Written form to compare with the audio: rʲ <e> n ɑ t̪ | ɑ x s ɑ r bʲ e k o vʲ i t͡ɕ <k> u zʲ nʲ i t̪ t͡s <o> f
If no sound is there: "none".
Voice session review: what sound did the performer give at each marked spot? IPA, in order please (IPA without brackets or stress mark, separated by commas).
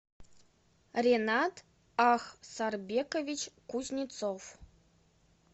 e, k, o